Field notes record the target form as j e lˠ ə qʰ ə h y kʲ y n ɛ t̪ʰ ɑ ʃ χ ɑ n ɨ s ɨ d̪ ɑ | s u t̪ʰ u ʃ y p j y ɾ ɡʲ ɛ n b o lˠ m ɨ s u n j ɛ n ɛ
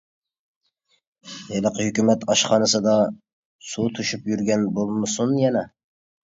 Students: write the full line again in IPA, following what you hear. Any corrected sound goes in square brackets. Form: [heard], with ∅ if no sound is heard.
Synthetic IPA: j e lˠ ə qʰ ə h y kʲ y [m] ɛ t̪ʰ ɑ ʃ χ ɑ n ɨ s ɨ d̪ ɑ | s u t̪ʰ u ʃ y p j y ɾ ɡʲ ɛ n b o lˠ m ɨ s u n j ɛ n ɛ